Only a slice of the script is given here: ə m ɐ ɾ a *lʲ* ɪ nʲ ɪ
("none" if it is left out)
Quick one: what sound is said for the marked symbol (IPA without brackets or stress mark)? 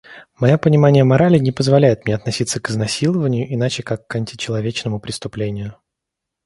lʲ